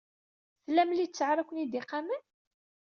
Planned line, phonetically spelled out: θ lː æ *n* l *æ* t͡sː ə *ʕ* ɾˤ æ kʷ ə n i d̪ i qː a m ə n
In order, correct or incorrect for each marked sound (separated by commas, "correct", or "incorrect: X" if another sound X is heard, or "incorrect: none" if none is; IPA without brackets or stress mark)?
incorrect: m, incorrect: i, correct